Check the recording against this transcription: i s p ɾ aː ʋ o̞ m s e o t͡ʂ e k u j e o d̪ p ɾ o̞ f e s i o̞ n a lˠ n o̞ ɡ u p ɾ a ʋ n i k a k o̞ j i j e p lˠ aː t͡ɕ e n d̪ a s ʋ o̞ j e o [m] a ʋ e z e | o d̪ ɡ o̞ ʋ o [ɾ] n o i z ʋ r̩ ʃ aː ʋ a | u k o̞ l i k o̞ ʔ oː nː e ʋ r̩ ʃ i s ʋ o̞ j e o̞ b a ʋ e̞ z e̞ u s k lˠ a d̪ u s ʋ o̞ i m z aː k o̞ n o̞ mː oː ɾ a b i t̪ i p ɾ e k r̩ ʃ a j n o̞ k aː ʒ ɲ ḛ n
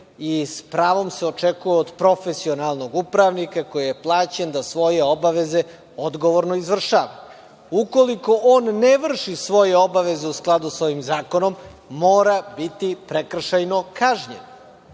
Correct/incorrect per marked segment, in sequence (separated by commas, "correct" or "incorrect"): incorrect, correct